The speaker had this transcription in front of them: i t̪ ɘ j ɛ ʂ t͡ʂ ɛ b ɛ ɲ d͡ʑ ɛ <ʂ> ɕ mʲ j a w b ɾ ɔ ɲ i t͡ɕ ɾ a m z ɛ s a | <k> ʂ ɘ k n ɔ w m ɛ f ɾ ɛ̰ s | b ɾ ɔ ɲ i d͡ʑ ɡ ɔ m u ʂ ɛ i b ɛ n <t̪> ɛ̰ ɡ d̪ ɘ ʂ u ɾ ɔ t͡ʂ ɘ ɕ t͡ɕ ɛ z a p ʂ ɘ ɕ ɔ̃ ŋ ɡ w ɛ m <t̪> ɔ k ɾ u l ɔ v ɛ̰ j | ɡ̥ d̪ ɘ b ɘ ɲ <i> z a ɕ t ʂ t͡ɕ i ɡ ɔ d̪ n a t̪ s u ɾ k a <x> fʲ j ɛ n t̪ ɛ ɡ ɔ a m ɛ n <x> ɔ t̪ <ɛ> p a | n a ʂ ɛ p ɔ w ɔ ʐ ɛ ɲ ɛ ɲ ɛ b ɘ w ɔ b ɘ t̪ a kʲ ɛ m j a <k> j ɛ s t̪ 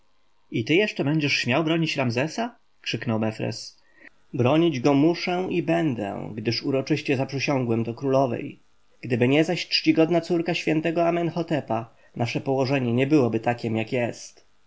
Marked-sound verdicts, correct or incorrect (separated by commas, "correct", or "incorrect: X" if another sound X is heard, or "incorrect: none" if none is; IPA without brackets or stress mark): correct, correct, incorrect: d̪, incorrect: d̪, incorrect: ɛ, incorrect: ɕ, correct, correct, correct